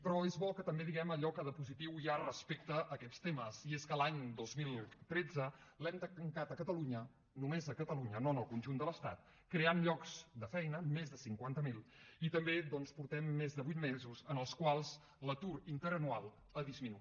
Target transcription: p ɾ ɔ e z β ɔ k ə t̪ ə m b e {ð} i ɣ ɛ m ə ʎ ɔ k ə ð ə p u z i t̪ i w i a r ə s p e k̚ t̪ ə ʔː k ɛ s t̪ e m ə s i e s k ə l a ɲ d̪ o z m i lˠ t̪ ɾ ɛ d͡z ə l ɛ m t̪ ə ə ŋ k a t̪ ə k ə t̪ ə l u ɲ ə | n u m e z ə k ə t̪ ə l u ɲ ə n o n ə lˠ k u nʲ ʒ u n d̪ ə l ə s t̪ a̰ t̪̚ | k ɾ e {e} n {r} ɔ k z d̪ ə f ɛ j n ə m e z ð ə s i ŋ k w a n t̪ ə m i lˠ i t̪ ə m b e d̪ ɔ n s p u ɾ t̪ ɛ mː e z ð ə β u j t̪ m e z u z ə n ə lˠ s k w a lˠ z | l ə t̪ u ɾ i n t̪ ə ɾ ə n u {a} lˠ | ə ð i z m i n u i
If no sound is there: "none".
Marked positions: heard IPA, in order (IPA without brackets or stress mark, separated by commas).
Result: ð, a, ʎ, a